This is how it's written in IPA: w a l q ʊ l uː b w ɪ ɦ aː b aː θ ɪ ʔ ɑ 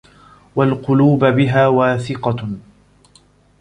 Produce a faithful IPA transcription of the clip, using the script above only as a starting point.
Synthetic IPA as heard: w a l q ʊ l uː b b ɪ ɦ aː w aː θ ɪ q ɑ